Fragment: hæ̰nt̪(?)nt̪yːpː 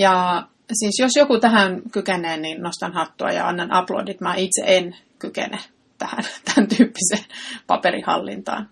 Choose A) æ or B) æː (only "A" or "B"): A